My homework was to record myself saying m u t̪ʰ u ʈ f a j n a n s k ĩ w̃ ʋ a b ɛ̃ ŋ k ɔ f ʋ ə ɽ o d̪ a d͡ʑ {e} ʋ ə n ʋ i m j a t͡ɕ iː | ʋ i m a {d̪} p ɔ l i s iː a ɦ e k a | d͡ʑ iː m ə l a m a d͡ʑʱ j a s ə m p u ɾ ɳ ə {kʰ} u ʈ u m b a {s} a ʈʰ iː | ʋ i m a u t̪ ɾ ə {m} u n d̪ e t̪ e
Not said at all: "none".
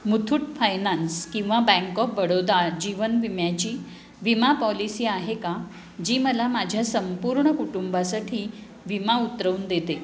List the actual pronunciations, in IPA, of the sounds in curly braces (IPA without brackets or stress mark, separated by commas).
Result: i, none, k, s, none